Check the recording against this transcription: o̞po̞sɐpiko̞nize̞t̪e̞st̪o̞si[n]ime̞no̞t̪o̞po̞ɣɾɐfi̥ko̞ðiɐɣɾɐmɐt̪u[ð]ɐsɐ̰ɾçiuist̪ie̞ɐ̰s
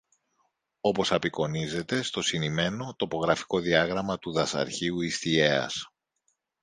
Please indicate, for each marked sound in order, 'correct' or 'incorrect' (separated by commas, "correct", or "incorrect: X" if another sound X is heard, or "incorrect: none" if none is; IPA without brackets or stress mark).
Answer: correct, correct